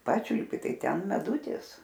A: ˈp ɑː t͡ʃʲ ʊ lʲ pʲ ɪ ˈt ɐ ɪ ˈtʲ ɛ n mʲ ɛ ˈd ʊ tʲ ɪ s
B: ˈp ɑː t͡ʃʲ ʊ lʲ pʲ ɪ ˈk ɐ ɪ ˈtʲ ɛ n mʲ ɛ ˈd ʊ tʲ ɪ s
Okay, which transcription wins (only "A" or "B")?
A